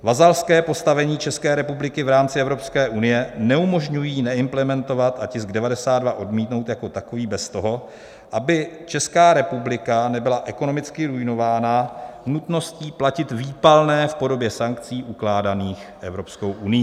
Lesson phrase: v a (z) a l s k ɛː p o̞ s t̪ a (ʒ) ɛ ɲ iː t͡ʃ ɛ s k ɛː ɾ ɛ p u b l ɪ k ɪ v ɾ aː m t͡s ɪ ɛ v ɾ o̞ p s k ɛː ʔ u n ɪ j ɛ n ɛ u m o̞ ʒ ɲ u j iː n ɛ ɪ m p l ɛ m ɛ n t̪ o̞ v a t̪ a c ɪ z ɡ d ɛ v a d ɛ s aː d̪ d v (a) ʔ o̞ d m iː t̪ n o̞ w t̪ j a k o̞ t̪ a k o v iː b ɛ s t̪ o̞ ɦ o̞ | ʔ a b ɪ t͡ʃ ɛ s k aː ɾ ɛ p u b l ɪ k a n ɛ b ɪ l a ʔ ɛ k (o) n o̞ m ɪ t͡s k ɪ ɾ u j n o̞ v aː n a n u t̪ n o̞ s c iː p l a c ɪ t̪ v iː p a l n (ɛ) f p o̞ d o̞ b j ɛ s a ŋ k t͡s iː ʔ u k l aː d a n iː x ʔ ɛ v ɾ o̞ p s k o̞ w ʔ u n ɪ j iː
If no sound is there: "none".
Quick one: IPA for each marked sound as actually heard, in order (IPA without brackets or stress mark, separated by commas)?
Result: z, v, a, o, ɛː